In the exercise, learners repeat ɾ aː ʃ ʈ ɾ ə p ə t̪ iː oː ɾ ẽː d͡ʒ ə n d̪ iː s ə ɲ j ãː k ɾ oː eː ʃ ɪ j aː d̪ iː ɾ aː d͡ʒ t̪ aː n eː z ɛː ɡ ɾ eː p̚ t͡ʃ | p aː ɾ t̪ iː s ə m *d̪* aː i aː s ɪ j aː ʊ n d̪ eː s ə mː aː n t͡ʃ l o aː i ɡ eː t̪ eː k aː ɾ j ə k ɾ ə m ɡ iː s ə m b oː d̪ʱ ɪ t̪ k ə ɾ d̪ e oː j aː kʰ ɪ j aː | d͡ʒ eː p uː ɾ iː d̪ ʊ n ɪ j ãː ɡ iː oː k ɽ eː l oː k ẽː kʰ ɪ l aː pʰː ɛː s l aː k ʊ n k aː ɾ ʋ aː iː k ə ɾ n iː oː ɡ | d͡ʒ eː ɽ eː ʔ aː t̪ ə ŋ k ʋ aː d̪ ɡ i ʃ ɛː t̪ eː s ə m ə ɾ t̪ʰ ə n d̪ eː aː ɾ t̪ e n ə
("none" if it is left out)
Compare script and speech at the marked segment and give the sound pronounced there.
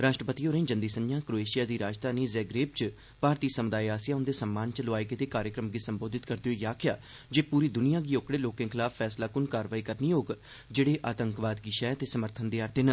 d̪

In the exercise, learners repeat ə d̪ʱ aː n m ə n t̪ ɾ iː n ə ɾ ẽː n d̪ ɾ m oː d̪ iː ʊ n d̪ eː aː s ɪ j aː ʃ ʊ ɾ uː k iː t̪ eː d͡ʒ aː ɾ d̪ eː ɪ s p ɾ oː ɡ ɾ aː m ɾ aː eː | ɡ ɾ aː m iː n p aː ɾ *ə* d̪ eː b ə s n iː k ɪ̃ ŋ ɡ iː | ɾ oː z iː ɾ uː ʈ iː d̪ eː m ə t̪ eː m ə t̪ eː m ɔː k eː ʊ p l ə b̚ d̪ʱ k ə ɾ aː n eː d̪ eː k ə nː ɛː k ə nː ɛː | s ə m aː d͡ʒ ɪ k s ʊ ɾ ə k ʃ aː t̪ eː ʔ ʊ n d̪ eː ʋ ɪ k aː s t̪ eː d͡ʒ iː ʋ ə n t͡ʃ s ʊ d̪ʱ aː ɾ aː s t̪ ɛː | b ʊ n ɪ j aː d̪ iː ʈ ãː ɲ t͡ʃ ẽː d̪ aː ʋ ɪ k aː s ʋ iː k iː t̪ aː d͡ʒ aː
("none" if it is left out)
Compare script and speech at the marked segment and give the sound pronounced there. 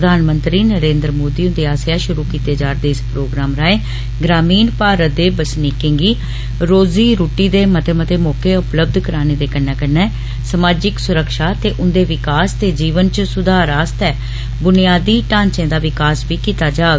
ə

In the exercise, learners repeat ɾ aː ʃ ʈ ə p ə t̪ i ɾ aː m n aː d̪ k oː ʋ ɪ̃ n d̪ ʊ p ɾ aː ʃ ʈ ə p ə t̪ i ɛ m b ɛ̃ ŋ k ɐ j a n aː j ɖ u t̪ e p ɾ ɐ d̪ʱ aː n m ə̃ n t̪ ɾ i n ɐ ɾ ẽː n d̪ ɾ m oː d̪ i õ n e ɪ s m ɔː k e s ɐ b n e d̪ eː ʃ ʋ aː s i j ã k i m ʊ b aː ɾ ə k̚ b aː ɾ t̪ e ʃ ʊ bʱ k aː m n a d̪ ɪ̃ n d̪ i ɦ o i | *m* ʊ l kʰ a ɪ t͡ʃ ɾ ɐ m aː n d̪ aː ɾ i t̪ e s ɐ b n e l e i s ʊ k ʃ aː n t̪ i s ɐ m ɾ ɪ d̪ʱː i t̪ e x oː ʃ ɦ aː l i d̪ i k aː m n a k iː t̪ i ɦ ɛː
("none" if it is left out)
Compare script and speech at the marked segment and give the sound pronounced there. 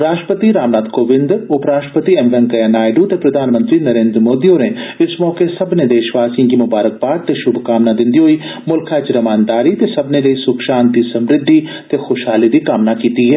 m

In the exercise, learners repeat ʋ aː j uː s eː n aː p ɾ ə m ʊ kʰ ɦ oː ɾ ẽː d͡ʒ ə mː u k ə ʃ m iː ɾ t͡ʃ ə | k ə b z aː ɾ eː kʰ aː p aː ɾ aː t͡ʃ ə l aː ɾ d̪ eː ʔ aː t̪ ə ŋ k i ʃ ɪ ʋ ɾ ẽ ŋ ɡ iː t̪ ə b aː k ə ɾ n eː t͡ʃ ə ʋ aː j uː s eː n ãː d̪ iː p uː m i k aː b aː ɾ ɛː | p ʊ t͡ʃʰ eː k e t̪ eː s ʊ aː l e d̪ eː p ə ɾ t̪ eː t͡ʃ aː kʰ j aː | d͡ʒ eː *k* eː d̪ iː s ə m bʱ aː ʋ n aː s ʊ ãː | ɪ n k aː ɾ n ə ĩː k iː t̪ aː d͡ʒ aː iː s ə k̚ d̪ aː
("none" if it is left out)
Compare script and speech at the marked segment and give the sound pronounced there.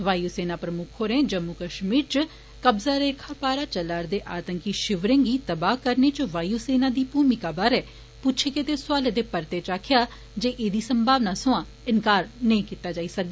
ʔ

